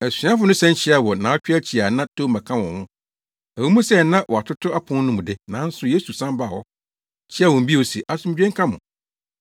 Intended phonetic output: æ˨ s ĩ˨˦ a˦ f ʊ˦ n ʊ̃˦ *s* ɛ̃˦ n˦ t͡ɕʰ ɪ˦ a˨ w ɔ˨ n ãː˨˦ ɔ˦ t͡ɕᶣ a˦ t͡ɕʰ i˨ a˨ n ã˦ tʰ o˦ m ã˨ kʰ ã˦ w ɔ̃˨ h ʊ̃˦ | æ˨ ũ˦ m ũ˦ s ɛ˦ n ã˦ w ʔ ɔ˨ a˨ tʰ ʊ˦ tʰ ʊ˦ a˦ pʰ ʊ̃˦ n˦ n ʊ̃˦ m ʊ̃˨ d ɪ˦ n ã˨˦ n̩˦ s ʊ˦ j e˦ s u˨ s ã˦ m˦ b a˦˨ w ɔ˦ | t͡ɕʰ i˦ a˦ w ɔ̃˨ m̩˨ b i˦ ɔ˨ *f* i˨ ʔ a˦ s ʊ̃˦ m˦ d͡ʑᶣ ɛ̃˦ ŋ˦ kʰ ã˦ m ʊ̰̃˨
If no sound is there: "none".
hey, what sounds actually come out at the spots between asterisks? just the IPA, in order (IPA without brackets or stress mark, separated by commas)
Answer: s, s